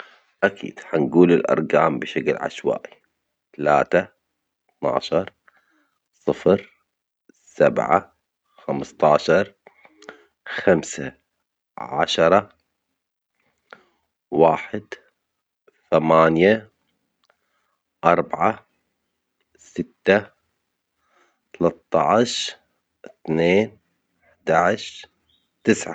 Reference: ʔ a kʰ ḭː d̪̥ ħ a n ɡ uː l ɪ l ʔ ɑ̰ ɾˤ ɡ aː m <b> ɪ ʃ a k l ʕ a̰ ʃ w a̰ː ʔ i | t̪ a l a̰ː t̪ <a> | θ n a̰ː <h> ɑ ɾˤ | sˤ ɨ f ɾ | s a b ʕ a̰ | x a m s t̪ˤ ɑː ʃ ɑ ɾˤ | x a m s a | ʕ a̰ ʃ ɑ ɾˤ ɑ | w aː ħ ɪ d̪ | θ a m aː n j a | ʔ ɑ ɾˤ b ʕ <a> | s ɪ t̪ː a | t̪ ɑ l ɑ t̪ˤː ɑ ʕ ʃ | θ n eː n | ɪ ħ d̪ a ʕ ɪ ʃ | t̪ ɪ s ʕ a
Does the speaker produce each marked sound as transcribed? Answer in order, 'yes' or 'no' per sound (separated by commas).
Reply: yes, yes, no, yes